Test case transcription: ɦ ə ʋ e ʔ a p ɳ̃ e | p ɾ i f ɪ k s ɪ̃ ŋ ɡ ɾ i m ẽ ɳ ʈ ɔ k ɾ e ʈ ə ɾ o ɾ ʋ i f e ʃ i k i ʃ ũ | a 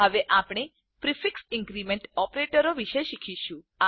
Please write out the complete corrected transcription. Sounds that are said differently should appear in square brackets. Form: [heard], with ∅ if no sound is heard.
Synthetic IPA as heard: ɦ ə ʋ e ʔ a p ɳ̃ e | p ɾ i f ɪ k s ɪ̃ ŋ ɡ ɾ i m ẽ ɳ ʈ ɔ [p] ɾ e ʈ ə ɾ o [∅] ʋ i [ʃ] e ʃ i [kʰ] i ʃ ũ | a